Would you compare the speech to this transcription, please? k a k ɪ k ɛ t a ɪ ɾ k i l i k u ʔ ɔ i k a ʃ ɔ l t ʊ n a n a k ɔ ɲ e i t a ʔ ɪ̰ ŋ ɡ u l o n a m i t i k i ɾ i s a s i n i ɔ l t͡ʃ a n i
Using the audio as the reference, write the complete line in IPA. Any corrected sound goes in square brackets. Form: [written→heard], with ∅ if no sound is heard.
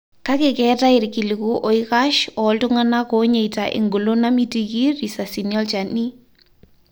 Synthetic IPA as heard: k a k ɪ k ɛ t a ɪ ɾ k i l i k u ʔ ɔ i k a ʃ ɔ l t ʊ [n→ŋ] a n a k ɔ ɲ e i t a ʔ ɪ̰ ŋ ɡ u l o n a m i t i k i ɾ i s a s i n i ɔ l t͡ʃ a n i